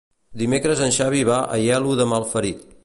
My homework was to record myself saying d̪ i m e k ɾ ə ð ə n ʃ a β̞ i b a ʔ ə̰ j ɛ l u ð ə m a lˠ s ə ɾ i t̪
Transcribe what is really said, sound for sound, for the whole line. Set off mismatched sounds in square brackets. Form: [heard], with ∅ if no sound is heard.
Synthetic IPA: d̪ i m e k ɾ ə [z] ə n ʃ a β̞ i [β] a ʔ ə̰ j ɛ l u ð ə m a lˠ [f] ə ɾ i t̪